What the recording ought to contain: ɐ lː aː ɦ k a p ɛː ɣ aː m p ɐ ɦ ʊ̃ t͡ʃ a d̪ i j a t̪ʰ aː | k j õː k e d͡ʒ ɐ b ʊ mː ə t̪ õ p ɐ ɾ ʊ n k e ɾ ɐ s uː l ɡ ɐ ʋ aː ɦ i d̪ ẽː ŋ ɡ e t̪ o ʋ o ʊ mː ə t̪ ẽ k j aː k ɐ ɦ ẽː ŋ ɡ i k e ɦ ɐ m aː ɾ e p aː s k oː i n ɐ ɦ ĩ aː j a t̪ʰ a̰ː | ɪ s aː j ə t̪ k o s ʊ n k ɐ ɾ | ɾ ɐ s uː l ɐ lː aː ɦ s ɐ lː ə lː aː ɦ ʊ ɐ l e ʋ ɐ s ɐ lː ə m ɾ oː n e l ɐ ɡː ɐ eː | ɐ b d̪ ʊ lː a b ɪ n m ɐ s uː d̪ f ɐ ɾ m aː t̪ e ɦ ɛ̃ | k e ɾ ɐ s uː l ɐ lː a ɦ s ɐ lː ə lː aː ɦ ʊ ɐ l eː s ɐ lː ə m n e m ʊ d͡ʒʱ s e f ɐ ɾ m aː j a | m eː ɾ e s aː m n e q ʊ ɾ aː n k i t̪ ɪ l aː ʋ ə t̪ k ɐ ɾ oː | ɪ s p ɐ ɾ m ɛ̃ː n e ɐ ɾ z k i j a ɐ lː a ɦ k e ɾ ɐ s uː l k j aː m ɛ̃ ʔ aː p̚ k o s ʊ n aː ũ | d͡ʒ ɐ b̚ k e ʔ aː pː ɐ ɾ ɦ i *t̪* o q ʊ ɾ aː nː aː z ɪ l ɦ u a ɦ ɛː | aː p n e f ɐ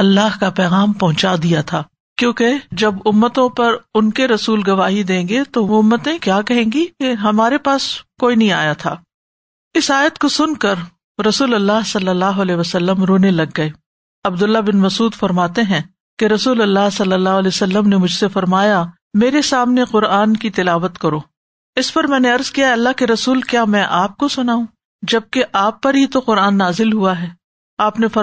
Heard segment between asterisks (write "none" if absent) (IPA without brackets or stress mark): t̪